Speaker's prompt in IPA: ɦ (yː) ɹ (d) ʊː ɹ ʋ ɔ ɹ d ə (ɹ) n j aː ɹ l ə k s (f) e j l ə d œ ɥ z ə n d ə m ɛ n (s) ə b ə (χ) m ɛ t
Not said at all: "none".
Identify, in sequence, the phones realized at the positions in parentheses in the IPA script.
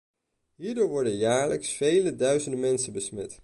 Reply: iː, d, none, f, s, s

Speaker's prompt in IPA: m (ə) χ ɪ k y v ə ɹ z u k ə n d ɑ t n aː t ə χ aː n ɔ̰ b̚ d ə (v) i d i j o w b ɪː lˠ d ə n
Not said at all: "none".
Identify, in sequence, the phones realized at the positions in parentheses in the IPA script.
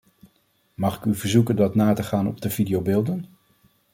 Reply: ɑ, v

